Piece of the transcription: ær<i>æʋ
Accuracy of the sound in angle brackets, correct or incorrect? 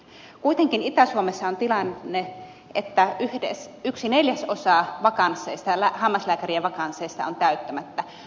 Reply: correct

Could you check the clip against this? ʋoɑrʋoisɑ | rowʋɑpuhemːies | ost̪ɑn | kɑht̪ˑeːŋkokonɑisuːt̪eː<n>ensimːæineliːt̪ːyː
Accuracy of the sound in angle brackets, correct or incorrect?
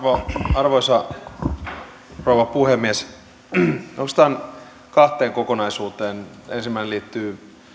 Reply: correct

